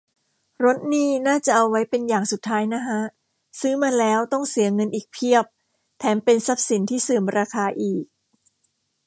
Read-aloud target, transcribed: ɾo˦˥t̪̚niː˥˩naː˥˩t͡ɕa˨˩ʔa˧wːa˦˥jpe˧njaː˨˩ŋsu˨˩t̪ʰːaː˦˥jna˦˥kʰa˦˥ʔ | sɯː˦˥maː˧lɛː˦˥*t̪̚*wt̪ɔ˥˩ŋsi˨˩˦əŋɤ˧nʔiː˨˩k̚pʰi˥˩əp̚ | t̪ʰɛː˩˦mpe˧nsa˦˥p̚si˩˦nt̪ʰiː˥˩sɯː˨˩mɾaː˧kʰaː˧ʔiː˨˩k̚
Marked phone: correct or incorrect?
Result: incorrect